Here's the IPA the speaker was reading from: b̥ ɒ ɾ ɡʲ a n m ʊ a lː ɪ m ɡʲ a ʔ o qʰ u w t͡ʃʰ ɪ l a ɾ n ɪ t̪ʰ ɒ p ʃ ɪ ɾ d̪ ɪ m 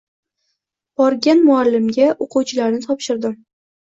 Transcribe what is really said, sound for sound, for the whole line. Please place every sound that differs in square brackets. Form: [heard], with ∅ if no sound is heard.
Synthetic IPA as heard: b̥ ɒ ɾ ɡʲ a n m ʊ a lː ɪ m ɡʲ a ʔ o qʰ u w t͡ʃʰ ɪ l a ɾ n ɪ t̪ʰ ɒ p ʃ ɪ ɾ d̪ ɪ m